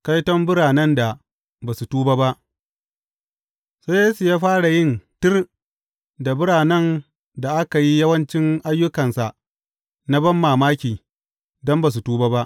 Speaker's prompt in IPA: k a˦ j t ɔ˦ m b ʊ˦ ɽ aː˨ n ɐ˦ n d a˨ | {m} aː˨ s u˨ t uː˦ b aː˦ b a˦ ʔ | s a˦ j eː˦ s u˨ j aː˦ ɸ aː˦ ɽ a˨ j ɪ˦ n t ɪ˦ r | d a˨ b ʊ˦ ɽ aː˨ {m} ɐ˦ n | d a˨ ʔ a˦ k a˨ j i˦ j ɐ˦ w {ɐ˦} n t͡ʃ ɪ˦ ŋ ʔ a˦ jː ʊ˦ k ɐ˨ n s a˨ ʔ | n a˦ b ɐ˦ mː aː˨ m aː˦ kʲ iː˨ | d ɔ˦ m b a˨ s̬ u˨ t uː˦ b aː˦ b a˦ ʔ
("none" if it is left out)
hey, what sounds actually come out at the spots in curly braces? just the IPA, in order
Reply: b, n, ɐ˦

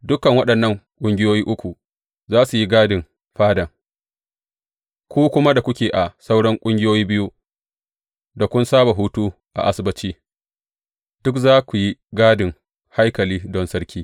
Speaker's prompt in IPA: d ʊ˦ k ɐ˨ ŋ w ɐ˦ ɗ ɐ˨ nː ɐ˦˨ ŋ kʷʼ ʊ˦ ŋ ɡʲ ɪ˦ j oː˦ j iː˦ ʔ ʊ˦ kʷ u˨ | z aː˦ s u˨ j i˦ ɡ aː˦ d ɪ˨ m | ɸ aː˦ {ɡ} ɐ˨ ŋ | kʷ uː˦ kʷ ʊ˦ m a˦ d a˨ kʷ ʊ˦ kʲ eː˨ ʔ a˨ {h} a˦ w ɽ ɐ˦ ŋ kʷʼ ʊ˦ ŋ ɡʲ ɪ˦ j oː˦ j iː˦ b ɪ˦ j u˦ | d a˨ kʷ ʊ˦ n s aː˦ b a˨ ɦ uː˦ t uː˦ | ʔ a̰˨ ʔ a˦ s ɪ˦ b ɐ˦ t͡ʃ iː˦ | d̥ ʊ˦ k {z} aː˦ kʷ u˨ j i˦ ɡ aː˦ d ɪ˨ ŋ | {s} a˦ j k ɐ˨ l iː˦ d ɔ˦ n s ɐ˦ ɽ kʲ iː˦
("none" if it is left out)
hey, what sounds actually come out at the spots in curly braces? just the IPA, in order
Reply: d, s, z, h

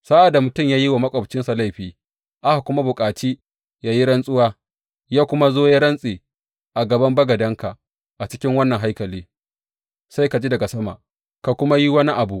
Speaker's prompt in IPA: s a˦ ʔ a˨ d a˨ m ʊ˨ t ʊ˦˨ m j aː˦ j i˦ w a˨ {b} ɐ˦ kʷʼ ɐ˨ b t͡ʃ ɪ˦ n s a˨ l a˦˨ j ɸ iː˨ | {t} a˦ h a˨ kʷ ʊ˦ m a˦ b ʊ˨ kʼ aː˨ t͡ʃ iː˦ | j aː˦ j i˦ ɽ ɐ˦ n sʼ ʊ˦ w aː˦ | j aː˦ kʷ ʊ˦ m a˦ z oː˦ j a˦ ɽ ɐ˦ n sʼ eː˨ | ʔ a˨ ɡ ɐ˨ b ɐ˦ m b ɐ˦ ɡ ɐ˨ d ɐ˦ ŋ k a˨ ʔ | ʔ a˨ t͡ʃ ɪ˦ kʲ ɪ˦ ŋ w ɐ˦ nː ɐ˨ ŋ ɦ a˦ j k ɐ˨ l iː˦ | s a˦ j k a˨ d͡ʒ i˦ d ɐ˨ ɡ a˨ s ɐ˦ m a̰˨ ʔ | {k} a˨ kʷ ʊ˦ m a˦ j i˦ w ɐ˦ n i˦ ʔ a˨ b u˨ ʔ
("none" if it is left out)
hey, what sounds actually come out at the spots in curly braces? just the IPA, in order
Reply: m, ʔ, k

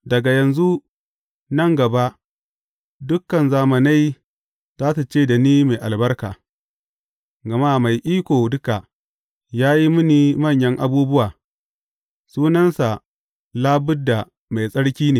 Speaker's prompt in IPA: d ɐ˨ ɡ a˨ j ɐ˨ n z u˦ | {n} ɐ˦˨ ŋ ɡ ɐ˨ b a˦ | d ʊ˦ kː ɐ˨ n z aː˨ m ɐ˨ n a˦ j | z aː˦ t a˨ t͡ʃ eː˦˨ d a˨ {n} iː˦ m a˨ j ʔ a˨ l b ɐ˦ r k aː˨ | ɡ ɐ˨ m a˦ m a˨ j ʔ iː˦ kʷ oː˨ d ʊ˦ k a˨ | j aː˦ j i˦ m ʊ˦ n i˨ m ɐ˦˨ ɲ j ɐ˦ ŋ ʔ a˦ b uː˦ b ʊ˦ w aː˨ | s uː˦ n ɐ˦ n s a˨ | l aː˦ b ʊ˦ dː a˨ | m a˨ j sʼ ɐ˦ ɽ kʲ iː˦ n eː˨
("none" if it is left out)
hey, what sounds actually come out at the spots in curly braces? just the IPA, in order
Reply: n, n

